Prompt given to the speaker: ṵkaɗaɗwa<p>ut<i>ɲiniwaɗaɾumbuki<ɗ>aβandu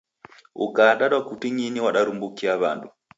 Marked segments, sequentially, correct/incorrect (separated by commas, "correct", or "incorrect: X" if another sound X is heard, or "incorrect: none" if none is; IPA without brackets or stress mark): incorrect: k, correct, incorrect: none